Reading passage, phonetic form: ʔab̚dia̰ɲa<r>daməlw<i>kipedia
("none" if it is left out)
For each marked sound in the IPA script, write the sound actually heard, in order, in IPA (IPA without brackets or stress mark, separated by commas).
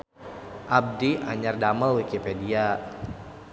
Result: r, i